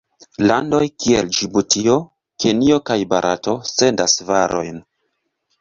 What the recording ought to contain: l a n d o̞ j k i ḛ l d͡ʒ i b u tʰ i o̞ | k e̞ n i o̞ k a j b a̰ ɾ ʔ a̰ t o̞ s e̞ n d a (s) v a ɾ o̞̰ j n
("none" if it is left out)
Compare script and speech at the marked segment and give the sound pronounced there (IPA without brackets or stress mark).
s